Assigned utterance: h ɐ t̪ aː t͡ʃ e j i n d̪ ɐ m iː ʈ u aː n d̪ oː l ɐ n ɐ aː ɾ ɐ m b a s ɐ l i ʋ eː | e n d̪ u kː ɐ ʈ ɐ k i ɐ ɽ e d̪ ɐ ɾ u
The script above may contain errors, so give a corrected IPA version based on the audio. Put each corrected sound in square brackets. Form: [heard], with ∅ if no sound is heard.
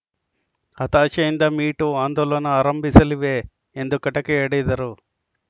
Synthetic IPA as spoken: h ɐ t̪ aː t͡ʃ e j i n d̪ ɐ m iː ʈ u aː n d̪ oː l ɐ n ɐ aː ɾ ɐ m b [i] s ɐ l i ʋ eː | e n d̪ u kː ɐ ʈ ɐ k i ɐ ɽ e d̪ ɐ ɾ u